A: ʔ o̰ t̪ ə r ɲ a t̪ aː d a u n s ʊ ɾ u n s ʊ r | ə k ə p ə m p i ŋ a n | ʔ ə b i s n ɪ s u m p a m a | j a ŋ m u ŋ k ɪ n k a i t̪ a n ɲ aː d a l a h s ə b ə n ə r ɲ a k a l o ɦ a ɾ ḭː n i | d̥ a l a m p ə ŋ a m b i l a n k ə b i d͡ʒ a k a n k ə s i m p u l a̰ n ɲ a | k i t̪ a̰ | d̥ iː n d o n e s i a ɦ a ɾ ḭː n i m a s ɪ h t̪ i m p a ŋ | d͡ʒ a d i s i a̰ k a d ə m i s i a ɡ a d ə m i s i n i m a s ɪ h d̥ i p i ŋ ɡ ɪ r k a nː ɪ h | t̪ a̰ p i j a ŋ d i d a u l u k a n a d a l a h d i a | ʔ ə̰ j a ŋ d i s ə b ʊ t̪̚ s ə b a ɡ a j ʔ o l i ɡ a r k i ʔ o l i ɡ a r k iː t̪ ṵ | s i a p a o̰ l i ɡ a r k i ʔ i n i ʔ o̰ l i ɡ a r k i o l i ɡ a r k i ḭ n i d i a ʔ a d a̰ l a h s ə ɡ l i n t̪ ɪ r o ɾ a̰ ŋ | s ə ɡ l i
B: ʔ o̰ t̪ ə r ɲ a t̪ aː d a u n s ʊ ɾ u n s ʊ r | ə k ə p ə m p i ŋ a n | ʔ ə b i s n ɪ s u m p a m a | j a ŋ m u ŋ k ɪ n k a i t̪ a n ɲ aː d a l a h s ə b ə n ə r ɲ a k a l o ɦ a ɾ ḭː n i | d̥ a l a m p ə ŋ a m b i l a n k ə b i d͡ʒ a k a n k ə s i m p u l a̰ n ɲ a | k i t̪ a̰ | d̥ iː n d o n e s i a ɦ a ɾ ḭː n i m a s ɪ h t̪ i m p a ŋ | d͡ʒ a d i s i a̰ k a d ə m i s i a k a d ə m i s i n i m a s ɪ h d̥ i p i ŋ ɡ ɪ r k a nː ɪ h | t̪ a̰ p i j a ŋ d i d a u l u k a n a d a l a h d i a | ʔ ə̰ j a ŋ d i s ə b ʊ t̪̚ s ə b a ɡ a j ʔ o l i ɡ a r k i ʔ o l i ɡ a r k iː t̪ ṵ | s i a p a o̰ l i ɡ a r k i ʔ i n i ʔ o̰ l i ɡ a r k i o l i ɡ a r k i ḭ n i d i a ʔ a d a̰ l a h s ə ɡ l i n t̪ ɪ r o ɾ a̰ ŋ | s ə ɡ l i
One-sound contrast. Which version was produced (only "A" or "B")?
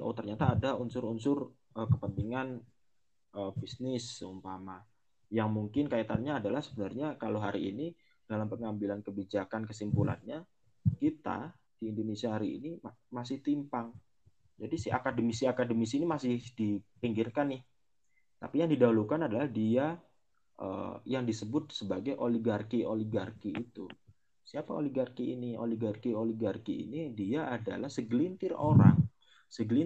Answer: B